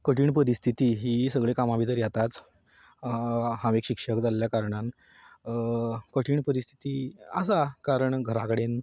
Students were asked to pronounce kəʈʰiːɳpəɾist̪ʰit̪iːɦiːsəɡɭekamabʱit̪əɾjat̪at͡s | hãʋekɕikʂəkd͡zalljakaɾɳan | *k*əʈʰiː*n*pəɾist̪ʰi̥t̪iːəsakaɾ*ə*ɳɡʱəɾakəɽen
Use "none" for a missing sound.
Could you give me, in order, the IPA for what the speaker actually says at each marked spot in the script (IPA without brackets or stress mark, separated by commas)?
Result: k, ɳ, ə